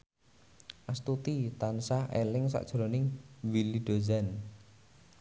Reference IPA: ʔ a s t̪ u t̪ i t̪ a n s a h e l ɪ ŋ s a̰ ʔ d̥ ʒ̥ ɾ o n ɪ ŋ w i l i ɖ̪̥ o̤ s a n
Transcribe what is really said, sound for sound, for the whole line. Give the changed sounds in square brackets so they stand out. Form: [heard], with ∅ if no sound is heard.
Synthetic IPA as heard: ʔ a s t̪ u t̪ i t̪ a n s a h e l ɪ ŋ s a̰ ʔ d̥ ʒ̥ ɾ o n ɪ ŋ w i l i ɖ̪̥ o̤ [z] a n